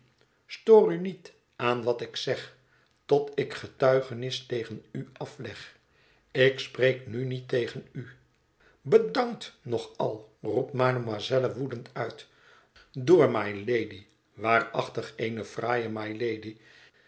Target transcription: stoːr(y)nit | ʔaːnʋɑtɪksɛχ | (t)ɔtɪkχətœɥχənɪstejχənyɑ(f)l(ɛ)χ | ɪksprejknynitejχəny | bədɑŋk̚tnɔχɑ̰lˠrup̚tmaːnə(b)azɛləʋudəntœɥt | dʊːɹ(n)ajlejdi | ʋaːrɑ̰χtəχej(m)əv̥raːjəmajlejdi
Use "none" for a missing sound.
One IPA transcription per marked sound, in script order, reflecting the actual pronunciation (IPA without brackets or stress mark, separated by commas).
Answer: y, t, f, ɛ, m, m, n